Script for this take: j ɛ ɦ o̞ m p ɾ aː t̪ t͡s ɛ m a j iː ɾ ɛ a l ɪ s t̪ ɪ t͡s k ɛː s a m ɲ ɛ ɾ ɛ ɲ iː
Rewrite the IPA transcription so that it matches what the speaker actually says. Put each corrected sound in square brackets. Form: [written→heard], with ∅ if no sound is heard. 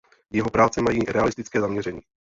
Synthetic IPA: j ɛ ɦ o̞ [m→∅] p ɾ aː [t̪→∅] t͡s ɛ m a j iː ɾ ɛ a l ɪ s t̪ ɪ t͡s k ɛː [s→z] a m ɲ ɛ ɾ ɛ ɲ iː